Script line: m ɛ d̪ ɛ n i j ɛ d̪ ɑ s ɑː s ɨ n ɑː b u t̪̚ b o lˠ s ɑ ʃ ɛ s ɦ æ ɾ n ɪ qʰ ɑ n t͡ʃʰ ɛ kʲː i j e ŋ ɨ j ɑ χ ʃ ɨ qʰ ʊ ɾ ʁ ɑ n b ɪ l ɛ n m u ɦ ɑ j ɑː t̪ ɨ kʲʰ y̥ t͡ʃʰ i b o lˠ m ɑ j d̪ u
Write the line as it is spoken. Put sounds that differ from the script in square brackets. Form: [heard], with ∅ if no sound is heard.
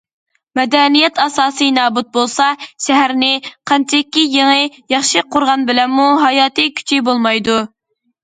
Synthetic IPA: m ɛ d̪ ɛ n i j ɛ [t̪] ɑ s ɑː s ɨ n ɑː b u t̪̚ b o lˠ s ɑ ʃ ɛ [∅] ɦ æ ɾ n ɪ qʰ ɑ n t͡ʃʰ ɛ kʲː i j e ŋ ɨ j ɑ χ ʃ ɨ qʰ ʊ ɾ ʁ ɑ n b ɪ l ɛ n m u ɦ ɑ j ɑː t̪ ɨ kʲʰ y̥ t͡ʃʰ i b o lˠ m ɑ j d̪ u